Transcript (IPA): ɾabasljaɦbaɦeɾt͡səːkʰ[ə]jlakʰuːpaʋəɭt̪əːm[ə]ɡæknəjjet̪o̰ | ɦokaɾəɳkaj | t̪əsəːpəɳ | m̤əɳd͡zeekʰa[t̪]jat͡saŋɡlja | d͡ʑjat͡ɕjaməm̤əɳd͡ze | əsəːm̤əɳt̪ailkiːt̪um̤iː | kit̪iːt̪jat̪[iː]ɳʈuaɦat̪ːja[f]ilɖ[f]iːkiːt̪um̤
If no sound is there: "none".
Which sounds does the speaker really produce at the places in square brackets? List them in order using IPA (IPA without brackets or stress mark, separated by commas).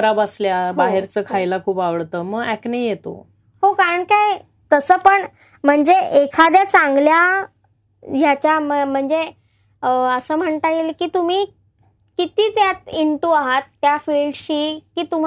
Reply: a, ə, d̪, i, f, ɕ